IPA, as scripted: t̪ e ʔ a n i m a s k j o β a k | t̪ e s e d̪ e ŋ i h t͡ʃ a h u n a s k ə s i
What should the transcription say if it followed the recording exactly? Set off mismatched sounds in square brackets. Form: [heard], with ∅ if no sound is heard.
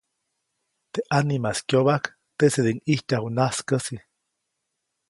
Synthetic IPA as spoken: t̪ e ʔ a n i m a s k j o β a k | t̪ e s e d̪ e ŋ i h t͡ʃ a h u n a s k ə s i